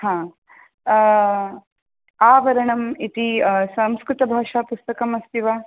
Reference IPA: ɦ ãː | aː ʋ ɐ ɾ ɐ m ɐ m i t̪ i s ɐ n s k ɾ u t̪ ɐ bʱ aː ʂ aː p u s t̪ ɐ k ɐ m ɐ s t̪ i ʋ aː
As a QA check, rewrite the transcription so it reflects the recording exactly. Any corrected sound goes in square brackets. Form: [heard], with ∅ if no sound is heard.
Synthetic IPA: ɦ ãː | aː ʋ ɐ ɾ ɐ [ɳ] ɐ m i t̪ i s ɐ [m] s k ɾ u t̪ ɐ bʱ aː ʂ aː p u s t̪ ɐ k ɐ m ɐ s t̪ i ʋ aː